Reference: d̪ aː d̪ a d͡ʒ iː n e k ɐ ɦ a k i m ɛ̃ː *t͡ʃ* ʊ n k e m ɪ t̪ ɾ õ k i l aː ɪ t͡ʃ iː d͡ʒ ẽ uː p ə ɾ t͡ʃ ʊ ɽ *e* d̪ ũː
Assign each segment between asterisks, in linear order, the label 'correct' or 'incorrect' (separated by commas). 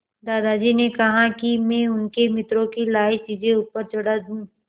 incorrect, incorrect